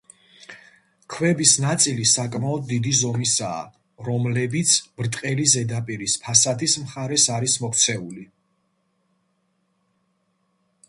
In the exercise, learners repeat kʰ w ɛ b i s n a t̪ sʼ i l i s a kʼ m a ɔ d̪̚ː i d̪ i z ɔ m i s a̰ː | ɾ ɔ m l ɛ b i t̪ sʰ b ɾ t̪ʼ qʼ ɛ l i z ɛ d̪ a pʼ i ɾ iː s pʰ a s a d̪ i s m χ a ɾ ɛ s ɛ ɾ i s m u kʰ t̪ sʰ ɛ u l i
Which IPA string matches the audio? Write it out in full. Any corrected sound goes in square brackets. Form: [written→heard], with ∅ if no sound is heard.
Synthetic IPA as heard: kʰ w ɛ b i s n a t̪ sʼ i l i s a kʼ m a ɔ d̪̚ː i d̪ i z ɔ m i s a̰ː | ɾ ɔ m l ɛ b i t̪ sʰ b ɾ t̪ʼ qʼ ɛ l i z ɛ d̪ a pʼ i ɾ [iː→i] s pʰ a s a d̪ i s m χ a ɾ ɛ s [ɛ→a] ɾ i s m [u→ɔ] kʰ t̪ sʰ ɛ u l i